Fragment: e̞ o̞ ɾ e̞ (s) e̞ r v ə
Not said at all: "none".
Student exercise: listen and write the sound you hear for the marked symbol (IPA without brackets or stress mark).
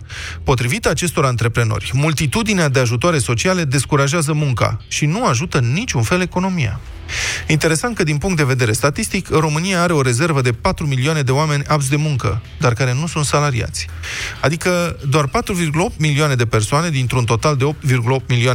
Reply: z